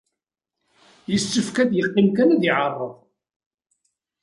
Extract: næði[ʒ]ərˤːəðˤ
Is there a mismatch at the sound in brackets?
yes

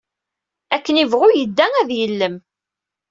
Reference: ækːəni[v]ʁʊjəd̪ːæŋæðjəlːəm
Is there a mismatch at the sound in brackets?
no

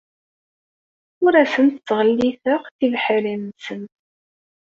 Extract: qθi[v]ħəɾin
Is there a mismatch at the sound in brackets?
no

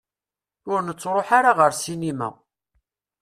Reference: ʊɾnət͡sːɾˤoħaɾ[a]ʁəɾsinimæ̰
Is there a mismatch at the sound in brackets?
no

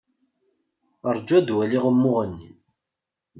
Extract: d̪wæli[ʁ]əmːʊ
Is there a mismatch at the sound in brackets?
no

